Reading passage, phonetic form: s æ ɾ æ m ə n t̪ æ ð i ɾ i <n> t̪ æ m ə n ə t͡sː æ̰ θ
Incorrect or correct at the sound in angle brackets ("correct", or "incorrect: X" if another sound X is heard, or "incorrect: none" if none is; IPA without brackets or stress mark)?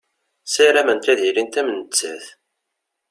correct